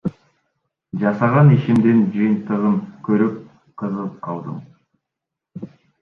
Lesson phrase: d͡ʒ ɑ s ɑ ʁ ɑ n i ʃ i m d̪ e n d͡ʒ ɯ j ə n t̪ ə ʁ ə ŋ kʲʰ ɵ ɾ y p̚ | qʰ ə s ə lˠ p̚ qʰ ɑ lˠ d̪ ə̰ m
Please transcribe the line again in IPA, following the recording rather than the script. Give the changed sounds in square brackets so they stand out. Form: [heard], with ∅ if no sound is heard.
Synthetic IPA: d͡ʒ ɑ s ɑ ʁ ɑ n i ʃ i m d̪ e n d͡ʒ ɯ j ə n t̪ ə ʁ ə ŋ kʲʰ ɵ ɾ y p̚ | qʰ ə [z] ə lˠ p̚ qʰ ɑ lˠ d̪ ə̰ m